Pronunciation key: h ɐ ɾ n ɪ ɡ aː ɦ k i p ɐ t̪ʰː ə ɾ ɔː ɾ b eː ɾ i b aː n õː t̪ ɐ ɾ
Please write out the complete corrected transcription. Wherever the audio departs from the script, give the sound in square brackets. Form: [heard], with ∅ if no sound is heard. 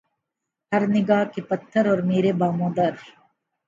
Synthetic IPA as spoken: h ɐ ɾ n ɪ ɡ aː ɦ k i p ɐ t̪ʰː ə ɾ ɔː ɾ [m] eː ɾ [e] b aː [m] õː [d̪] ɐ ɾ